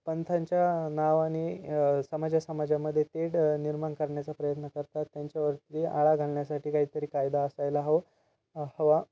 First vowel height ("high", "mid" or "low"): mid